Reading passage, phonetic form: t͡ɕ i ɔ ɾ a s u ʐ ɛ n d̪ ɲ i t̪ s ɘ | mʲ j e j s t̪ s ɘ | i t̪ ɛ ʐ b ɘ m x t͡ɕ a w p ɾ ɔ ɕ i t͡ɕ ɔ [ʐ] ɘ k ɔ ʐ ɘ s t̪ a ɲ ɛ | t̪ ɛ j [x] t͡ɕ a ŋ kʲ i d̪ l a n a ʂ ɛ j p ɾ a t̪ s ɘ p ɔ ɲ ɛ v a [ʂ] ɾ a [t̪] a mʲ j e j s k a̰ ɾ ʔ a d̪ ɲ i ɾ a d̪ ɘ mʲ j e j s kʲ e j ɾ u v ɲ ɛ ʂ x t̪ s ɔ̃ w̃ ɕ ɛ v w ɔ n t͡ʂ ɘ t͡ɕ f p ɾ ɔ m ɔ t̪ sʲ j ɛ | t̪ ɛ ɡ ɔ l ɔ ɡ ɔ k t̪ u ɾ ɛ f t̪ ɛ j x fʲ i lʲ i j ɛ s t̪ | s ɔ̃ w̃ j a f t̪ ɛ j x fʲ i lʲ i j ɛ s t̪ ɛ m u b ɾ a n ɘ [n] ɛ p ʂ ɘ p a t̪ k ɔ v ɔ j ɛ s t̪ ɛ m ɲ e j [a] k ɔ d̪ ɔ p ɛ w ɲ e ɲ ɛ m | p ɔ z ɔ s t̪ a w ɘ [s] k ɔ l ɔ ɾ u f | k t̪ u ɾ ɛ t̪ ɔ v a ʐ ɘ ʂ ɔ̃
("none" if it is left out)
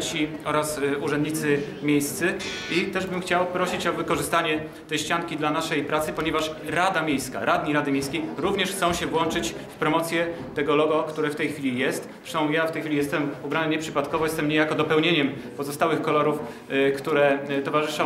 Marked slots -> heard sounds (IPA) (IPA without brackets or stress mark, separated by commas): v, ɕ, ʂ, d̪, ɲ, a, x